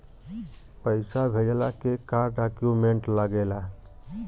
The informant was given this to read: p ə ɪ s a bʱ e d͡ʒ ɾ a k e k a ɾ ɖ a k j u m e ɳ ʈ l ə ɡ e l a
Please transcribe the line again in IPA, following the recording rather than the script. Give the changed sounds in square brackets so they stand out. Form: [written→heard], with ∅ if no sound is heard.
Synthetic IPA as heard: p ə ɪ s a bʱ e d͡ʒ [ɾ→l] a k e k a ɾ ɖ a k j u m e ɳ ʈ l ə ɡ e l a